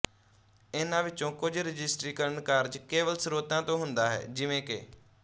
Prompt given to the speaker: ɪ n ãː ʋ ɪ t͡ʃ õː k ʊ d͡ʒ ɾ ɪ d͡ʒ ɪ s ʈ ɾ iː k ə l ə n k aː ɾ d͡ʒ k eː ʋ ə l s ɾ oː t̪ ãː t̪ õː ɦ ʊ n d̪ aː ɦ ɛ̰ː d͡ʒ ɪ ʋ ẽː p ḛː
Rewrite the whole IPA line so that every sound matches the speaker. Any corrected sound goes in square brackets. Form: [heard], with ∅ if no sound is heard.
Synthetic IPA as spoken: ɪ n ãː ʋ ɪ t͡ʃ õː k ʊ d͡ʒ ɾ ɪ d͡ʒ ɪ s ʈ ɾ iː k ə [ɾ] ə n k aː ɾ d͡ʒ k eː ʋ ə l s ɾ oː t̪ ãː t̪ õː ɦ ʊ n d̪ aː ɦ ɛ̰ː d͡ʒ ɪ ʋ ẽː [k] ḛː